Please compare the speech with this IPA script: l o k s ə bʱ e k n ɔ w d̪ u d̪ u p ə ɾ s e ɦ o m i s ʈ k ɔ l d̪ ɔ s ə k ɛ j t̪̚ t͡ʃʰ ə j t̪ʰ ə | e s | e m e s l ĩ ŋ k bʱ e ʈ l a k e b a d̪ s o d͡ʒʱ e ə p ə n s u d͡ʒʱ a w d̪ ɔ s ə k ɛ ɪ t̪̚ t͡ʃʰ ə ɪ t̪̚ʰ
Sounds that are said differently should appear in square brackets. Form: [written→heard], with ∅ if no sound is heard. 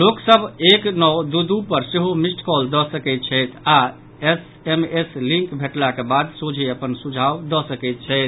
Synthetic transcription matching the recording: l o k s ə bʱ e k n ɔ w d̪ u d̪ u p ə ɾ s e ɦ o m i s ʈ k ɔ l d̪ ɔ s ə k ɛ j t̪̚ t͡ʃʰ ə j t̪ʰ [ə→a] | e s | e m e s l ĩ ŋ k bʱ e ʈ l a k e b a d̪ s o d͡ʒʱ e ə p ə n s u d͡ʒʱ a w d̪ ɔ s ə k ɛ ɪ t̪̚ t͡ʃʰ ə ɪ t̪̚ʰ